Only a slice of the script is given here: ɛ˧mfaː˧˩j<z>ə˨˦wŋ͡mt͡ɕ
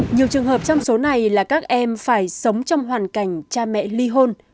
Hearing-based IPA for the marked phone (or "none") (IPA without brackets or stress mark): s